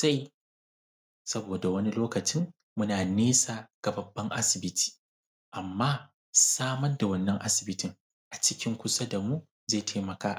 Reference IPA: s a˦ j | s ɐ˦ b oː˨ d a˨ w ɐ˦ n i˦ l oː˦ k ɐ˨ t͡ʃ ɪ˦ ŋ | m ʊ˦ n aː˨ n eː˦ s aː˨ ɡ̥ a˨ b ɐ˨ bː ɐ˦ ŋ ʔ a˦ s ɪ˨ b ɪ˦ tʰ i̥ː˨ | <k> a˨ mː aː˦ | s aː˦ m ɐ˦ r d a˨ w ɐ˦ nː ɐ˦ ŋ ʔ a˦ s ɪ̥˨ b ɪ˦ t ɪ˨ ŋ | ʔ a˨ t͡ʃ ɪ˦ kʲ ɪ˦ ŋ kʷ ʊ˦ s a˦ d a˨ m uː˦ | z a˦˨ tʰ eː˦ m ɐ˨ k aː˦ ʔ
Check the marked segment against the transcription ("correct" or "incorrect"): incorrect